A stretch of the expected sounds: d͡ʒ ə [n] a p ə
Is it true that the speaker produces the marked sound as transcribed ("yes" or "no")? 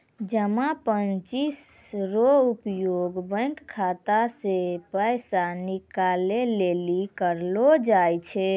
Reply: no